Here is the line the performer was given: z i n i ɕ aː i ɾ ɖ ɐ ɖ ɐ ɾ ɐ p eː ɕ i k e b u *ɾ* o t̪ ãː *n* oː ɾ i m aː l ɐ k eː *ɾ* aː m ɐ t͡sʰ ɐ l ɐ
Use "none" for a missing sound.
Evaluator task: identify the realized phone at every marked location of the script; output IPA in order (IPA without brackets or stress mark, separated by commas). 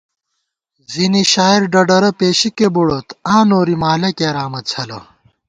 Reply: ɽ, n, ɾ